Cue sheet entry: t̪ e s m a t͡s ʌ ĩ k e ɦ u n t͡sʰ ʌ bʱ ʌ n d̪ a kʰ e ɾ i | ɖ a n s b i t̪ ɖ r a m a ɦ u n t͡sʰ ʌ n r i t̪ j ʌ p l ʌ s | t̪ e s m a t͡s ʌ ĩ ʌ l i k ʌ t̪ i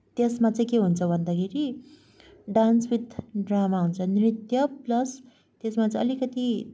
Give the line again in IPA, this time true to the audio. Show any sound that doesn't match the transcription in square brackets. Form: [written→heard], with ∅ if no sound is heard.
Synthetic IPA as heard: t̪ e s m a t͡s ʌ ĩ k e ɦ u n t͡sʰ ʌ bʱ ʌ n d̪ a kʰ e ɾ i | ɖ a n s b i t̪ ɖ r a m a ɦ u n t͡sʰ ʌ n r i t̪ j ʌ p l ʌ s | t̪ e s m a t͡s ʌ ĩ ʌ l i k ʌ t̪ i